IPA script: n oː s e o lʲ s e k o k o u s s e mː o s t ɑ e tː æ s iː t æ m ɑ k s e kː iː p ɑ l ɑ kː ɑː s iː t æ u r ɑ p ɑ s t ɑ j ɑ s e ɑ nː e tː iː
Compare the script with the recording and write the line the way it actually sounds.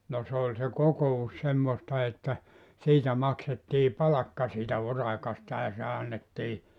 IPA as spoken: n o s e o lʲ s e k o k o u s s e mː o s t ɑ e tː æ s iː t æ m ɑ k s e tː iː p ɑ l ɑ kː ɑ s iː t æ u r ɑ k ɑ s t ɑ j ɑ s e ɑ nː e tː iː

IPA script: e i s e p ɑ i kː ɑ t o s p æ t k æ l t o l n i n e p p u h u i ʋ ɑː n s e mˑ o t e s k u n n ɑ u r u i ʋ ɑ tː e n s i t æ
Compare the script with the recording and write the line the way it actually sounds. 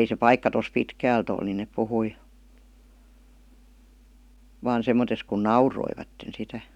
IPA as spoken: e i s e p ɑ i kː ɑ t o s p i t k æː l t o l n i n e p p u h u i ʋ ɑː n s e mˑ o t e s k u n n ɑ u r o i ʋ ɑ tː e n s i t æ

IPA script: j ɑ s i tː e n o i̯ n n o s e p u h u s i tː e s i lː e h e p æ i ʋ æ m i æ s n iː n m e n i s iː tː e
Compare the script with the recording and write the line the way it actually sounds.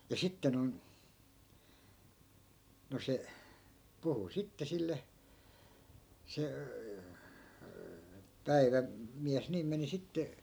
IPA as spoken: j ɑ s i tː e n o i̯ n n o s e p u h u s i tː e s i lː e s e p æ i ʋ æ m i æ s n iː m m e n i s i tː e

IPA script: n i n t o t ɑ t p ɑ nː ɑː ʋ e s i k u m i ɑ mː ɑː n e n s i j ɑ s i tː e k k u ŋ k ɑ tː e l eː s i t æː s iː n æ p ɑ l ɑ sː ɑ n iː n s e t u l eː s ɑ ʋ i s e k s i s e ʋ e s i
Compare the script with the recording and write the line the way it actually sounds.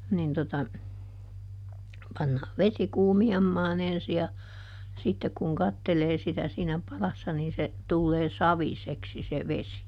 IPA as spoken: n i n t o t ɑ p ɑ nː ɑː ʋ e s i k uː m i ɑ mː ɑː n e n s i j ɑ s i tː e k k u ŋ k ɑ tː e l eː s i t æ s iː n æ p ɑ l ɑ sː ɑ n iː n s e t u lː eː s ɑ ʋ i s e k s i s e ʋ e s i

